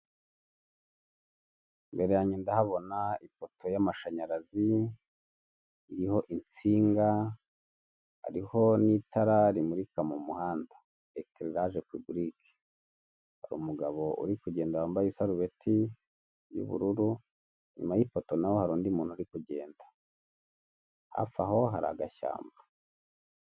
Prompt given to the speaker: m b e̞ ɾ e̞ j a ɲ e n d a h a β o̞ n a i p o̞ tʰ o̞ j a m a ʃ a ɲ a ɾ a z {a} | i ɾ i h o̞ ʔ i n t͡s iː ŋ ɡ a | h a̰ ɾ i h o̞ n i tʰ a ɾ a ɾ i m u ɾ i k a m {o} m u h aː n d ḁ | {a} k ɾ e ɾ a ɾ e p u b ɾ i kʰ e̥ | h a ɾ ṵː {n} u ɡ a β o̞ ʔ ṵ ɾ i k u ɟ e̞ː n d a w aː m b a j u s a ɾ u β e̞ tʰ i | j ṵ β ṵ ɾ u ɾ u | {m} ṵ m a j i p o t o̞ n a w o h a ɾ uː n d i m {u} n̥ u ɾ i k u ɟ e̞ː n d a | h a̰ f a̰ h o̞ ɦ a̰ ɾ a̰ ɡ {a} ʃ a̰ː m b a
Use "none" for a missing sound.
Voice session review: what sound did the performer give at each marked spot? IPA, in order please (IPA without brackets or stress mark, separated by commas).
i, u, e, m, ɲ, uː, a